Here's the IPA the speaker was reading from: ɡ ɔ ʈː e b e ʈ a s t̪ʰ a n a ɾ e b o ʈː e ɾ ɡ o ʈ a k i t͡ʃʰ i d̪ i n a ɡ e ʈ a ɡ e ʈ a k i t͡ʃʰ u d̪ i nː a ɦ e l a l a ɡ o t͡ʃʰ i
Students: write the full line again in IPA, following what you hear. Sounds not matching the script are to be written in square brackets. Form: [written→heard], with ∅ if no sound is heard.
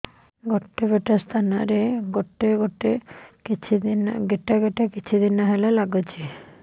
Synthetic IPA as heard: ɡ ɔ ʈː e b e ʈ a s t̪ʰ a n a ɾ e [b→ɡ] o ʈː e [ɾ→∅] ɡ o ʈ [a→e] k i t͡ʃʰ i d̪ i n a ɡ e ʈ a ɡ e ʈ a k i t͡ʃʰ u d̪ i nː a ɦ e l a l a ɡ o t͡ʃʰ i